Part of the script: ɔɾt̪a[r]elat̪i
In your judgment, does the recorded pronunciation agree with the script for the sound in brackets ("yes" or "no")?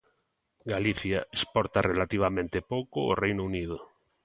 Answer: yes